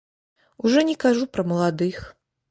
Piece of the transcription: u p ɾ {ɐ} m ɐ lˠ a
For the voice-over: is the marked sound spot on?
yes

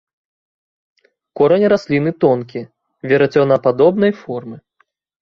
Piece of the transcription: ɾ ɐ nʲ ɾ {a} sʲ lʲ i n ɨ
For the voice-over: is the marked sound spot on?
yes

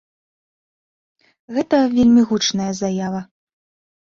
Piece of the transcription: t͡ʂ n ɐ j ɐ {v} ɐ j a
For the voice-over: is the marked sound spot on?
no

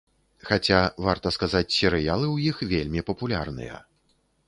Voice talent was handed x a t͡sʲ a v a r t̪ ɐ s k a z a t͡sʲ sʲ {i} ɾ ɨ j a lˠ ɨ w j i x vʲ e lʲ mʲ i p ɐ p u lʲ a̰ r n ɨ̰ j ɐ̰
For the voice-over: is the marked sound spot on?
no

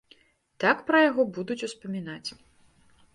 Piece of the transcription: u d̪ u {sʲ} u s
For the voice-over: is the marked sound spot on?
no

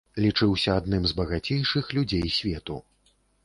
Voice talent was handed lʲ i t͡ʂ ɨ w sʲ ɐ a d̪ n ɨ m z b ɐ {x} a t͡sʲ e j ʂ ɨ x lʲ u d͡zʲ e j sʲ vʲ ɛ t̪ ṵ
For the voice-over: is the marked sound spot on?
no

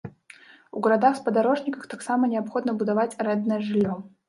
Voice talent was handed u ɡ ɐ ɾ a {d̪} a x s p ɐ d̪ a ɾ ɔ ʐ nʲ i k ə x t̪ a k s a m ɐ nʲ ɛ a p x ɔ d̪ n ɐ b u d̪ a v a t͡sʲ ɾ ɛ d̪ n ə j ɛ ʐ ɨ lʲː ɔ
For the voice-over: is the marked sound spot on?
yes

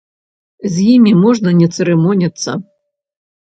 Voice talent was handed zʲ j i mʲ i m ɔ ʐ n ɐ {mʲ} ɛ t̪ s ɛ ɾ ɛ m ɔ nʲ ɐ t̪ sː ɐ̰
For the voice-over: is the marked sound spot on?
no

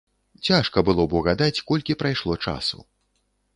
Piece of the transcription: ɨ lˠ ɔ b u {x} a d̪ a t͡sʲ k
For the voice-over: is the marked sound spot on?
no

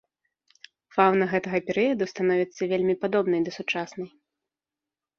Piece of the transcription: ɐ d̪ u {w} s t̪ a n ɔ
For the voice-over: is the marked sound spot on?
no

